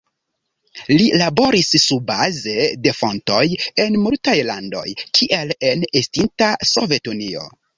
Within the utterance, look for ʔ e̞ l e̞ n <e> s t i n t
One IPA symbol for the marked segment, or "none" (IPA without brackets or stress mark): e